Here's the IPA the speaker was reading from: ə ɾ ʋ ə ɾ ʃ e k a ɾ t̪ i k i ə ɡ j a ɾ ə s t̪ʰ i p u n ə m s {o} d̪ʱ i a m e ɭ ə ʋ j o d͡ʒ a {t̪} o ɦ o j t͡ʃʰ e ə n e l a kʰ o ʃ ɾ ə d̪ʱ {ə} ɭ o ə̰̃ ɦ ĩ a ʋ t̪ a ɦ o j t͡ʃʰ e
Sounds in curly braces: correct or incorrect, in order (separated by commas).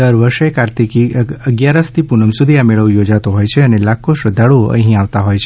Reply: incorrect, correct, incorrect